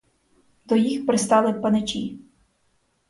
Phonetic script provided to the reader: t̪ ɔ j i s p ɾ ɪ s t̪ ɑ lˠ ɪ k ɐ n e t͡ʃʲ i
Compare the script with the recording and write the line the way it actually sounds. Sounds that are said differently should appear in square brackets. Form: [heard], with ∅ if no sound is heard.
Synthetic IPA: [d̪] ɔ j i [x] p ɾ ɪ s t̪ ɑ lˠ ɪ [p] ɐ n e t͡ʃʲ i